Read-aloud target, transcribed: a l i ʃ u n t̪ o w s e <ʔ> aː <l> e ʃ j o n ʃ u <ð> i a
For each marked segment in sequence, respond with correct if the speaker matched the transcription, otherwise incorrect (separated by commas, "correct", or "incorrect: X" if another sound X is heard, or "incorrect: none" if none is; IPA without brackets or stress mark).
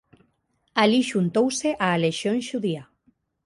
correct, correct, correct